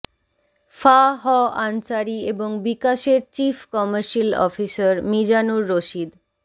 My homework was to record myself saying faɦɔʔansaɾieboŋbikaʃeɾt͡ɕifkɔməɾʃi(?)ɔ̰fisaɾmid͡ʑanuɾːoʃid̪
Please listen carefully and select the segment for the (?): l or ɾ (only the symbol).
l